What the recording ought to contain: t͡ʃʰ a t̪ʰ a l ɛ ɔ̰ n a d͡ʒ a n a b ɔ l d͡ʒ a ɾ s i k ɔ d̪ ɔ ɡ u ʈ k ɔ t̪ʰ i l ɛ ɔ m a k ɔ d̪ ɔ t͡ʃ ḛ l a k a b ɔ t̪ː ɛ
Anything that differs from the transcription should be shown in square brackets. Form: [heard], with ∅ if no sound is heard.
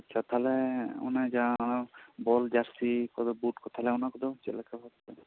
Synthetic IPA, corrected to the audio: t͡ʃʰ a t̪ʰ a l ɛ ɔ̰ n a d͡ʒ a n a b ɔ l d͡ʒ a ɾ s i k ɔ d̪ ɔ [b] u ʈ k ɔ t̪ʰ [a] l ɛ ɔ [n] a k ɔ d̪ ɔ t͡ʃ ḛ l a k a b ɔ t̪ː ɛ